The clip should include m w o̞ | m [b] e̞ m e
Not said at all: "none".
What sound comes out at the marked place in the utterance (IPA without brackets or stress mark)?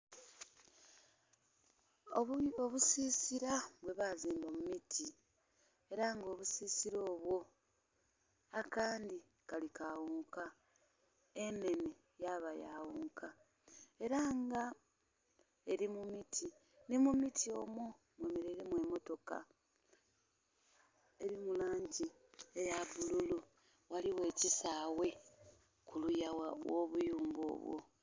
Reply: w